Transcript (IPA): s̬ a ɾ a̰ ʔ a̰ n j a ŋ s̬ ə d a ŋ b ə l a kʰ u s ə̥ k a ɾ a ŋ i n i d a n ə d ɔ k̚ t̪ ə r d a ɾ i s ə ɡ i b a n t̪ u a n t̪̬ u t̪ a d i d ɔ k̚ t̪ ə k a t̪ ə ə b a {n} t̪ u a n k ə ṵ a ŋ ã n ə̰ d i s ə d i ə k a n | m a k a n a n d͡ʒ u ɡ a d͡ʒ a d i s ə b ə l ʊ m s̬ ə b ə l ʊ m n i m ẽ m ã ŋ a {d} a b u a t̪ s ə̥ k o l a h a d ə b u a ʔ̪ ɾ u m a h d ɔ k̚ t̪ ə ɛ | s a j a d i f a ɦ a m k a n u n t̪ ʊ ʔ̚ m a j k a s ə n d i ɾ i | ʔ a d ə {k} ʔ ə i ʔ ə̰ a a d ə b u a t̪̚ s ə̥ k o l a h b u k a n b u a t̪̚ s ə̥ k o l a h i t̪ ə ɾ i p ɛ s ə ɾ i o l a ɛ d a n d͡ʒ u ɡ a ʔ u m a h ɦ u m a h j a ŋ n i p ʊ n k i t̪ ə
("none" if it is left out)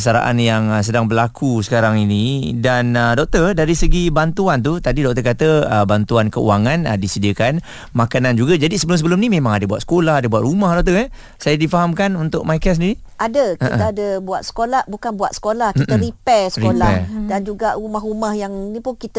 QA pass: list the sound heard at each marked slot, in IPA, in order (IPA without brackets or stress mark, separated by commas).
n, d, k